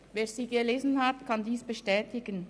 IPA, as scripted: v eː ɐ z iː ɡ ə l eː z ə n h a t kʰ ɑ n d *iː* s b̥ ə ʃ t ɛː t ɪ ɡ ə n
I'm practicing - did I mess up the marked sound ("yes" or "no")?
no